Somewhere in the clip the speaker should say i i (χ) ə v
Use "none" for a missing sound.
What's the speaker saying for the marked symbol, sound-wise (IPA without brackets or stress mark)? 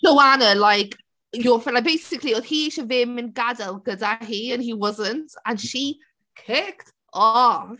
ʃ